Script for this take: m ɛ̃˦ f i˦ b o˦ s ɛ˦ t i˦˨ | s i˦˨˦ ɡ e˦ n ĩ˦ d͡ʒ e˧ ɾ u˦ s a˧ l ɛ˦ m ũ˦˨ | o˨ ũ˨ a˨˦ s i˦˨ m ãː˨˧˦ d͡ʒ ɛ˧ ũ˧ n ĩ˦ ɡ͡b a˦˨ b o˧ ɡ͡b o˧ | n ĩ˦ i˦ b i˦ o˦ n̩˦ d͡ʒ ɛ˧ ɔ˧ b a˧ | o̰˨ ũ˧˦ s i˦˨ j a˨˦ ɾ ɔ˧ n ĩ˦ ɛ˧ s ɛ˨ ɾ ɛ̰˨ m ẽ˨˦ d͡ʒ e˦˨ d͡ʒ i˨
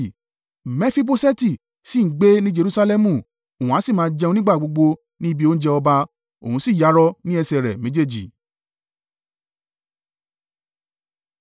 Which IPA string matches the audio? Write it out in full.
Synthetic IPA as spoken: m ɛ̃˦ f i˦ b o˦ s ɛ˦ t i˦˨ | s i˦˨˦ ɡ͡b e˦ n ĩ˦ d͡ʒ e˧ ɾ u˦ s a˧ l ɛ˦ m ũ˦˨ | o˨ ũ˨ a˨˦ s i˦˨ m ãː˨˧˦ d͡ʒ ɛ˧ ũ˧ n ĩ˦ ɡ͡b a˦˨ ɡ͡b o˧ ɡ͡b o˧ | n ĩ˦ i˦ b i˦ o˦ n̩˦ d͡ʒ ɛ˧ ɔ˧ b a˧ | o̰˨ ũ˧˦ s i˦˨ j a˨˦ ɾ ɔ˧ n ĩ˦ ɛ˧ s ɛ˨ ɾ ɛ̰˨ m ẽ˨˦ d͡ʒ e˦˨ d͡ʒ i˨

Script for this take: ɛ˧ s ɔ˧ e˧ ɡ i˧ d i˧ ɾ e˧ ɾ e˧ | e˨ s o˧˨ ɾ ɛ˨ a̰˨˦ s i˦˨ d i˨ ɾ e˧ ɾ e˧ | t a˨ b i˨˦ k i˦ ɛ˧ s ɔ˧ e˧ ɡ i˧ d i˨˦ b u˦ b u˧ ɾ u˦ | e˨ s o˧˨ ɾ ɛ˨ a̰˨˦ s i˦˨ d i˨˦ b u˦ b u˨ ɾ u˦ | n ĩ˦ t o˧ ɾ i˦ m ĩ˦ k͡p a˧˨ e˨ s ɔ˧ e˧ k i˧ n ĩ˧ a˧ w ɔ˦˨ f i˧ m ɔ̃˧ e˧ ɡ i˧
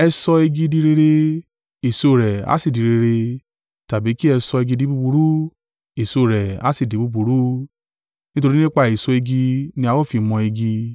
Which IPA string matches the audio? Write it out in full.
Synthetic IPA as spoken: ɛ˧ s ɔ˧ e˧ ɡ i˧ d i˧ ɾ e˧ ɾ e˧ | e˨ s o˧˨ ɾ ɛ˨ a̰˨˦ s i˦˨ d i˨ ɾ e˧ ɾ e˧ | t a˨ b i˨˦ k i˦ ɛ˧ s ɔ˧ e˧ ɡ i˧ d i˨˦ b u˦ b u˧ ɾ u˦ | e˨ s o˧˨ ɾ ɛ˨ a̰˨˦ s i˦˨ d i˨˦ b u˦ b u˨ ɾ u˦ | n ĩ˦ t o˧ ɾ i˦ n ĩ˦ k͡p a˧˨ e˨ s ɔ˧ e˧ ɡ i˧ n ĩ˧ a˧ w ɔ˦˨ f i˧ m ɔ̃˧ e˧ ɡ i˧

